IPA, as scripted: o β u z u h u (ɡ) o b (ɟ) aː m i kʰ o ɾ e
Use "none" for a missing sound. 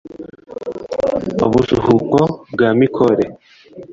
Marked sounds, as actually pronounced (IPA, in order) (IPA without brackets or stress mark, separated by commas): k, ɡ